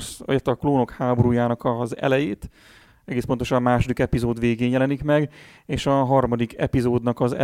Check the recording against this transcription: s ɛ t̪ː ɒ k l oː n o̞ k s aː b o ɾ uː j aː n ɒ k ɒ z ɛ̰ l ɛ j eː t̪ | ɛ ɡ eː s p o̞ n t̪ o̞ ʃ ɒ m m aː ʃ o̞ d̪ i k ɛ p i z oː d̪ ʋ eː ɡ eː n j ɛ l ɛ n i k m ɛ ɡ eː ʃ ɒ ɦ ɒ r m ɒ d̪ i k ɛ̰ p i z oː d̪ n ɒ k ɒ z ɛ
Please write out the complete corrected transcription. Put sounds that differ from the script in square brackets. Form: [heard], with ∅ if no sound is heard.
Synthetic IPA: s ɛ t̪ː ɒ k l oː n o̞ k [h] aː b o ɾ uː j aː n ɒ k ɒ z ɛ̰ l ɛ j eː t̪ | ɛ ɡ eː s p o̞ n t̪ o̞ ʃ ɒ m m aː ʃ o̞ d̪ i k ɛ p i z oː d̪ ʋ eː ɡ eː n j ɛ l ɛ n i k m ɛ ɡ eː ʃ ɒ ɦ ɒ r m ɒ d̪ i k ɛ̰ p i z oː d̪ n ɒ k ɒ z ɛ